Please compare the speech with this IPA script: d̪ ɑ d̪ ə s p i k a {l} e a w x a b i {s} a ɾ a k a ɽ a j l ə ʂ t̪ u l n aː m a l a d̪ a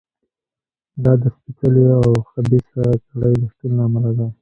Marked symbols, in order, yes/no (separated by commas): yes, yes